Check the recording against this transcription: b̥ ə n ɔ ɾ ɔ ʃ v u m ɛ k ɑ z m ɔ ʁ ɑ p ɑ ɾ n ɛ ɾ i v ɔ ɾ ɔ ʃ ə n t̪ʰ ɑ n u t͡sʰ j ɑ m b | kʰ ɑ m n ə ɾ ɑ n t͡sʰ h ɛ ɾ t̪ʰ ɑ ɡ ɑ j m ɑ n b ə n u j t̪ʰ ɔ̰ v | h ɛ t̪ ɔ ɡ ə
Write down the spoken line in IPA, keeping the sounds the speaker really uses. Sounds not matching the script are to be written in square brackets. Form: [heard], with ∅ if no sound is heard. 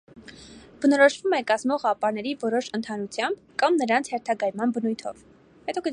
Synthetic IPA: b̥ ə n ɔ ɾ ɔ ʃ v u m ɛ k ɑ z m ɔ ʁ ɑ p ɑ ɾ n ɛ ɾ i v ɔ ɾ ɔ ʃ ə n t̪ʰ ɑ n u t͡sʰ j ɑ m b | [k] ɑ m n ə ɾ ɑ n t͡sʰ h ɛ ɾ t̪ʰ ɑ ɡ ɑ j m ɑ n b ə n u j t̪ʰ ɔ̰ v | h ɛ t̪ ɔ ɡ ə